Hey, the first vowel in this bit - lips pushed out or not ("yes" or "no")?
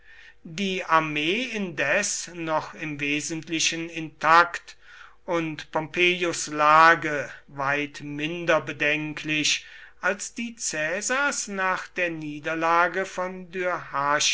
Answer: no